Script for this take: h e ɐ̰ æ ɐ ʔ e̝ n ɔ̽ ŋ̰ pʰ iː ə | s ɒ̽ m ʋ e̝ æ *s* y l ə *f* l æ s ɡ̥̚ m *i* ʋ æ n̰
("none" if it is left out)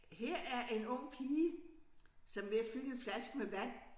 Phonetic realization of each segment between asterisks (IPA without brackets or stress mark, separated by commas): f, f, e